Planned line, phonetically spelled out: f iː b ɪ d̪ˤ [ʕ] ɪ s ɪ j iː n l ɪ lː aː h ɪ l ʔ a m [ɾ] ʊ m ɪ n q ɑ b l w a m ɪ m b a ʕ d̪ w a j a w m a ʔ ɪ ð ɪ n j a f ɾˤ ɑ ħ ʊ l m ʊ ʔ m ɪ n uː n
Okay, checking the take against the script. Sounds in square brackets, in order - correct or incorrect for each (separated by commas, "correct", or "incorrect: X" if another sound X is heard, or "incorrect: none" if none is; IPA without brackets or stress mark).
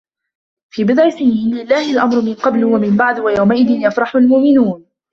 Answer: correct, correct